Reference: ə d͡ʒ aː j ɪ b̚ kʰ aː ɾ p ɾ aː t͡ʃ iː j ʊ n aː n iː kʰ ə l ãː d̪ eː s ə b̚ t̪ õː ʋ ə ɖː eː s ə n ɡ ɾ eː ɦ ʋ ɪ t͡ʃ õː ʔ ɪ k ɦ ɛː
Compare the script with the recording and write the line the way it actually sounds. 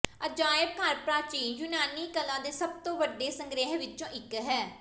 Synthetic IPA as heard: ə d͡ʒ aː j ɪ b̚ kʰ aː ɾ p ɾ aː t͡ʃ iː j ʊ n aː n iː k ə l ãː d̪ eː s ə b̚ t̪ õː ʋ ə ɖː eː s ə ŋ ɡ ɾ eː ɦ ʋ ɪ t͡ʃ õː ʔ ɪ k ɦ ɛː